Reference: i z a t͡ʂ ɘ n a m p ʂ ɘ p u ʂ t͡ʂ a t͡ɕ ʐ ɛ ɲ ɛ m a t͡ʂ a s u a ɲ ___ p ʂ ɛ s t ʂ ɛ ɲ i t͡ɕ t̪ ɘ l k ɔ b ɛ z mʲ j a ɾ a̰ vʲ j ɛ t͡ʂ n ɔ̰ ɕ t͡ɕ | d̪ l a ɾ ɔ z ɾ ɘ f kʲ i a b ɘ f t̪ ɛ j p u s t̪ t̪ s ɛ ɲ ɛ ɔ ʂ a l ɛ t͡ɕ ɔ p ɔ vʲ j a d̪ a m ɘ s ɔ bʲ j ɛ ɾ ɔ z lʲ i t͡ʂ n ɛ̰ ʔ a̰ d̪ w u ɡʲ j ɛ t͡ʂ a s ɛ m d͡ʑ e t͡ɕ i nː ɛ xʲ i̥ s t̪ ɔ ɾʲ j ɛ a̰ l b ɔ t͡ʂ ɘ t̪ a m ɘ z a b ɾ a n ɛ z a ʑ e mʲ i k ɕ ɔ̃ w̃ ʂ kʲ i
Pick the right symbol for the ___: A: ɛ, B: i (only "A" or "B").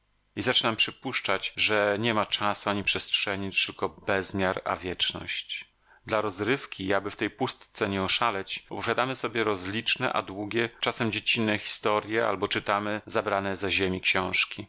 B